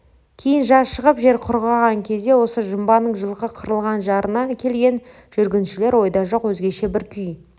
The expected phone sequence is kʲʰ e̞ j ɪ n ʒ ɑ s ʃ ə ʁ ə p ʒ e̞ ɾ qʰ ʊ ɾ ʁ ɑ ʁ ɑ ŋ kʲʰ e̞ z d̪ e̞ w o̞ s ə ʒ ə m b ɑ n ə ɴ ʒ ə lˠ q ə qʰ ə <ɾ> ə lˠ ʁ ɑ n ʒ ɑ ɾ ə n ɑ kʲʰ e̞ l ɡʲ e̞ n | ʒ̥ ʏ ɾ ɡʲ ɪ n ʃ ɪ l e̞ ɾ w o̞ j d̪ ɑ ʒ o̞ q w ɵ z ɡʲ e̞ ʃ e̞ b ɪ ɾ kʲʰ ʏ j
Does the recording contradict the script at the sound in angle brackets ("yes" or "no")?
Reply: no